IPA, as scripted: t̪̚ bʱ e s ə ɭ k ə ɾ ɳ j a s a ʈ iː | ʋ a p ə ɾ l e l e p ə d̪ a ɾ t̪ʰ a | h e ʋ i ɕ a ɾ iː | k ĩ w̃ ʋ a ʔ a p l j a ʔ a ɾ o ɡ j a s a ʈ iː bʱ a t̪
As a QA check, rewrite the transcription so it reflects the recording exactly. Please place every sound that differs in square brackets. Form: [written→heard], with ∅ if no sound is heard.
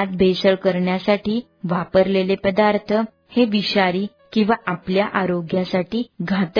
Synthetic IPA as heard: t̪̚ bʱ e s ə ɭ k ə ɾ ɳ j a s a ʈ iː | ʋ a p ə ɾ l e l e p ə d̪ a ɾ t̪ʰ [a→ə] | h e ʋ i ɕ a ɾ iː | k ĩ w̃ ʋ a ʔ a p l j a ʔ a ɾ o ɡ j a s a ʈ iː [bʱ→ɡʱ] a t̪